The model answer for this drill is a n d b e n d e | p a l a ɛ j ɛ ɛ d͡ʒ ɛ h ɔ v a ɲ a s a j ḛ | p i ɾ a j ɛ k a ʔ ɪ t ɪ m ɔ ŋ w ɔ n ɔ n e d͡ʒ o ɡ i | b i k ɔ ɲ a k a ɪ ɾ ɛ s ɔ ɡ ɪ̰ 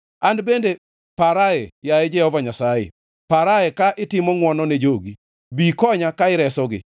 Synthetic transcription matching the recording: a n d b e n d e | p a ɾ a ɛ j a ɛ d͡ʒ ɛ h ɔ v a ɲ a s a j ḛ | p a ɾ a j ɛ k a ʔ ɪ t ɪ m ɔ ŋ w ɔ n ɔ n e d͡ʒ o ɡ i | b i k ɔ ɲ a k a ɪ ɾ ɛ s ɔ ɡ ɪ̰